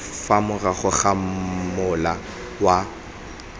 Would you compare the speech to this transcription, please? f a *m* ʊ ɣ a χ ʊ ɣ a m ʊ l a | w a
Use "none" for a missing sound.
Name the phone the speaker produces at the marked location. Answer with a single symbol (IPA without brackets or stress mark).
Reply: m